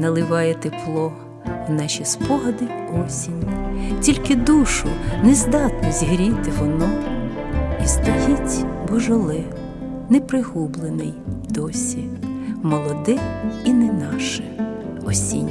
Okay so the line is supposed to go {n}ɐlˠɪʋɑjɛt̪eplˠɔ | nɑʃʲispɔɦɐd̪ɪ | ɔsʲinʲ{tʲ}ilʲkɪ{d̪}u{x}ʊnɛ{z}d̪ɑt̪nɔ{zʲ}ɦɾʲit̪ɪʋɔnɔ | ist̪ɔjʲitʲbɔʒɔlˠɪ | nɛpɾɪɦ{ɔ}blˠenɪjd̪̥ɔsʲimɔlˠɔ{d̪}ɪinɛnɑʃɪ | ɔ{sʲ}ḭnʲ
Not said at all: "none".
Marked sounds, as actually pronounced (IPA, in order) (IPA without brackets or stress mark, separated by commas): n, tʲ, d̪, ʃ, z, zʲ, u, d̪, sʲ